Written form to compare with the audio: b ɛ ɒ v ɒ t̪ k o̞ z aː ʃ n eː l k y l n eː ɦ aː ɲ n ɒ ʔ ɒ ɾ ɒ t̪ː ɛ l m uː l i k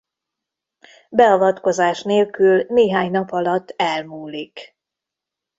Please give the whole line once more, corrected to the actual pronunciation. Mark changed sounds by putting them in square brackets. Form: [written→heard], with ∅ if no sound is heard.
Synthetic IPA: b ɛ ɒ v ɒ t̪ k o̞ z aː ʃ n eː l k y l n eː ɦ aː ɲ n ɒ [ʔ→p] ɒ [ɾ→l] ɒ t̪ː ɛ l m uː l i k